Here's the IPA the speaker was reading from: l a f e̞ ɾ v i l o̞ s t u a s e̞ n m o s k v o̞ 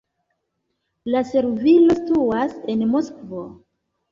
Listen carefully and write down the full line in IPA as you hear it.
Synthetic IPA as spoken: l a s e̞ ɾ v i l o̞ s t u a s e̞ n m o s k v o̞